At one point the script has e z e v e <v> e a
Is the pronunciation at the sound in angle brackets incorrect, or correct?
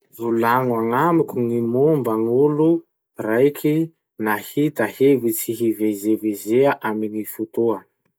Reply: incorrect